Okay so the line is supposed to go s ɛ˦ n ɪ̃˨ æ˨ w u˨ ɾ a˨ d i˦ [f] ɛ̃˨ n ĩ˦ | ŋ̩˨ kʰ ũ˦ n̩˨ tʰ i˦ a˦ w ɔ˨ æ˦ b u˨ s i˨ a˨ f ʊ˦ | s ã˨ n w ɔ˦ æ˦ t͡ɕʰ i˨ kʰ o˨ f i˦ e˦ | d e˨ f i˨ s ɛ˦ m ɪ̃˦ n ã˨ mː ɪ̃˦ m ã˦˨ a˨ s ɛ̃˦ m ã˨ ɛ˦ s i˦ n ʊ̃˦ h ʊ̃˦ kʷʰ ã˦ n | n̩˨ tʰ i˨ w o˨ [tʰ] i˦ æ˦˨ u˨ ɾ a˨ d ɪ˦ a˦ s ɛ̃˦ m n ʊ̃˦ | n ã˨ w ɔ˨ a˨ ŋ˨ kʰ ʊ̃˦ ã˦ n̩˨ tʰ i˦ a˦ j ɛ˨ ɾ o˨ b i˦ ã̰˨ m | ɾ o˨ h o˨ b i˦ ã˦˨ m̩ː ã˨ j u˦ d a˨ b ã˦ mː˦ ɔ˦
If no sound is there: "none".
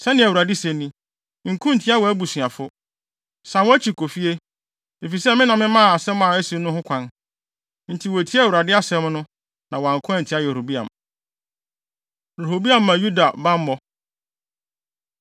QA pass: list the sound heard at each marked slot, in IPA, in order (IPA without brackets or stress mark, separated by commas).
s, tʰ